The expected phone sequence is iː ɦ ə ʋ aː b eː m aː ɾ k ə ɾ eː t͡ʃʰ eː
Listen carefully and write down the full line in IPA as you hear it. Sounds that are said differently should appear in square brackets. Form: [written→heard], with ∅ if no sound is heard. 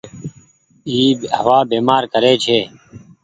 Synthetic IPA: iː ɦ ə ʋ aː b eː m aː ɾ k ə ɾ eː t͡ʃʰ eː